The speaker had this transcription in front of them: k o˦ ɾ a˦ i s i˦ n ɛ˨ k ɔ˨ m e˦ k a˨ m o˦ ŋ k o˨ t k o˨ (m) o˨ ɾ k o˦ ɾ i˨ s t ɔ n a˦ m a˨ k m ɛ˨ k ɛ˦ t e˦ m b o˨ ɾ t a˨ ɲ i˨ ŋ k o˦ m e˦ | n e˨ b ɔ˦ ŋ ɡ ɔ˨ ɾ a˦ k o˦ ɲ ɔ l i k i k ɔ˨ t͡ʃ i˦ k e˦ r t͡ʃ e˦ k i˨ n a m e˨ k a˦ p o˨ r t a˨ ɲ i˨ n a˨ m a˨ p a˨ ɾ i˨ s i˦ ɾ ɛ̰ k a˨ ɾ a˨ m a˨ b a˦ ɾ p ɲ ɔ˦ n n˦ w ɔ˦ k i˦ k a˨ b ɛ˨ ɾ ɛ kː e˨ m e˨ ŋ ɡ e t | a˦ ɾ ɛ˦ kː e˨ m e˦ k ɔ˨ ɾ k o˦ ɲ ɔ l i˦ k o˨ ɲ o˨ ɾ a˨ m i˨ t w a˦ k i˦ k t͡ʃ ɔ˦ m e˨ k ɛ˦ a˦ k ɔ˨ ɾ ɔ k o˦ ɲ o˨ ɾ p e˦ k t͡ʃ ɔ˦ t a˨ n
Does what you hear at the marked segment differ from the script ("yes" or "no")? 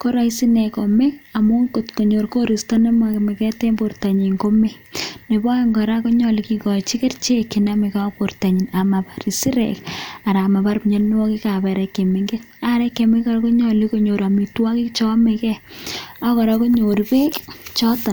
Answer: yes